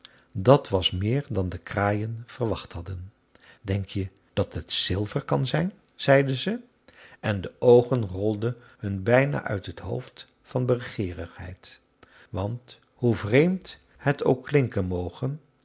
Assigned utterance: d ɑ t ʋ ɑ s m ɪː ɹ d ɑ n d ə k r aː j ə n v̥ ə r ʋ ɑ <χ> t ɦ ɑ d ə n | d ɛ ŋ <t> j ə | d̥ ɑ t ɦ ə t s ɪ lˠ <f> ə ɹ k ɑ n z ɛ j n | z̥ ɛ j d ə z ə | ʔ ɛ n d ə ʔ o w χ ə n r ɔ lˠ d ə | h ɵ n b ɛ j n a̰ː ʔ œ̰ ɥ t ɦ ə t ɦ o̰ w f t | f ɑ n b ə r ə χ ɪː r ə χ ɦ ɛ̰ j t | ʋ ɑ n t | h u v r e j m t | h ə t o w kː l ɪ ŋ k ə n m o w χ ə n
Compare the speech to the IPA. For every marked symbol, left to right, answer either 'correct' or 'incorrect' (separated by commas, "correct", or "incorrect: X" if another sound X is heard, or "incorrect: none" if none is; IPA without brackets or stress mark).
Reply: correct, incorrect: k, incorrect: v